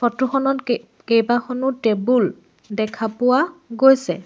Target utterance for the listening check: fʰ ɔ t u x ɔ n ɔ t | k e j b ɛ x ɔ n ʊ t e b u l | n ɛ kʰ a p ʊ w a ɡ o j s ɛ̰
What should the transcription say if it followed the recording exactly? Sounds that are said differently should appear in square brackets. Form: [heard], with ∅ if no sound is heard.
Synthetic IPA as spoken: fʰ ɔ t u x ɔ n ɔ t | k e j b [a] x ɔ n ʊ t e b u l | [d] ɛ kʰ a p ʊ w a ɡ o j s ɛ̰